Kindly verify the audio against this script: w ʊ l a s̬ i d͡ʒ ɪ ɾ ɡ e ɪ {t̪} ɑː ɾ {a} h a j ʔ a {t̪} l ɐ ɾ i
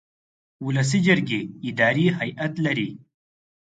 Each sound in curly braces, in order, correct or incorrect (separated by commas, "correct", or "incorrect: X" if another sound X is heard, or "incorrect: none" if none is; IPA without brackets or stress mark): incorrect: d̪, incorrect: i, correct